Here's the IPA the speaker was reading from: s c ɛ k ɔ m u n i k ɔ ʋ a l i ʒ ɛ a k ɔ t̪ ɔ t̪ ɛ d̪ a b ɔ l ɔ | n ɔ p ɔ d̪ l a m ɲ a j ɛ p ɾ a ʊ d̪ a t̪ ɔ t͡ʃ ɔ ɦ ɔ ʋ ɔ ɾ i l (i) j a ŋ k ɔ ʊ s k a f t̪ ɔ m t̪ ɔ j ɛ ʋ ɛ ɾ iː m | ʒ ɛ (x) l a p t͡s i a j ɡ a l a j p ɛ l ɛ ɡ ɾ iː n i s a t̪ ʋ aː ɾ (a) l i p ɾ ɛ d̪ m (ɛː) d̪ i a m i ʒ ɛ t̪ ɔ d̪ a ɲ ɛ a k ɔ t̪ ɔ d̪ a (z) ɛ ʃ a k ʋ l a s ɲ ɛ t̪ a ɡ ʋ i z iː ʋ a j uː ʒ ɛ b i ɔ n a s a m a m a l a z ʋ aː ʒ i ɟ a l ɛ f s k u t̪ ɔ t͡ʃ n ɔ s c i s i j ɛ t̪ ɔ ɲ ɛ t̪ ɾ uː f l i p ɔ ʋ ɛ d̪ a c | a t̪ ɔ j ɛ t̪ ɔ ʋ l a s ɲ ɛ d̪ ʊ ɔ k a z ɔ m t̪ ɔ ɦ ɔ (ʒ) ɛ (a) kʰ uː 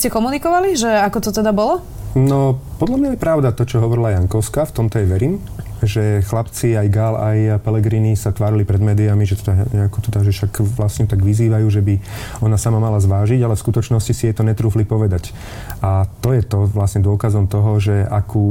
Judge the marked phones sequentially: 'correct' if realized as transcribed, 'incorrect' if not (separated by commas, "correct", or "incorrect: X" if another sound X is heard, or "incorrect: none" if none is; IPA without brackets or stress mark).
incorrect: a, correct, incorrect: i, correct, incorrect: ʒ, correct, correct